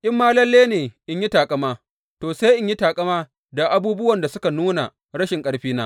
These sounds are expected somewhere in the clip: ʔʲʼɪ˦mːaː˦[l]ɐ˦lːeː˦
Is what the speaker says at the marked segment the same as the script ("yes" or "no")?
yes